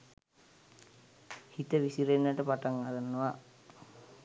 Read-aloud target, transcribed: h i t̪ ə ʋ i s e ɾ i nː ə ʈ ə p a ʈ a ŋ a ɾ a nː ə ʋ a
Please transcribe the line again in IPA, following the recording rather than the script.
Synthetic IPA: h i t̪ ə ʋ i s i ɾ e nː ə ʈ ə p a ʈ a ŋ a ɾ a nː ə ʋ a